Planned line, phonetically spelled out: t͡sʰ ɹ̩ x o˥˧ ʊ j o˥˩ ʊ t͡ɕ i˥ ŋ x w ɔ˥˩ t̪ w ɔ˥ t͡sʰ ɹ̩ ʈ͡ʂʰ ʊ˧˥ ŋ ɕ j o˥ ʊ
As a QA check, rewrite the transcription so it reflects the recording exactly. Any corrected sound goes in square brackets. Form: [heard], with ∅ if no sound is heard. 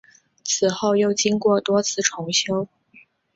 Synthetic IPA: t͡sʰ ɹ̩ x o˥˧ ʊ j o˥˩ ʊ t͡ɕ i˥ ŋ [k] w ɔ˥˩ t̪ w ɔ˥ t͡sʰ ɹ̩ ʈ͡ʂʰ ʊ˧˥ ŋ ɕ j o˥ ʊ